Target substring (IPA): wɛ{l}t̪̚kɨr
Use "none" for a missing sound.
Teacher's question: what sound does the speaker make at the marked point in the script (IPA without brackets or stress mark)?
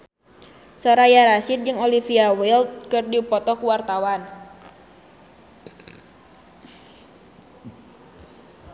l